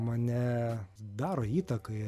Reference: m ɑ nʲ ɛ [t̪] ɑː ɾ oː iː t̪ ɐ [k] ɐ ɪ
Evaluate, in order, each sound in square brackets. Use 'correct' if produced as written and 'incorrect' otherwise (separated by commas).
incorrect, correct